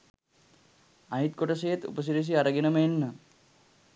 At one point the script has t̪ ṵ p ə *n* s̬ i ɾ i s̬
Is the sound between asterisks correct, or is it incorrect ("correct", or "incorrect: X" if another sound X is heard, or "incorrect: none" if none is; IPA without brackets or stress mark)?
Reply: incorrect: none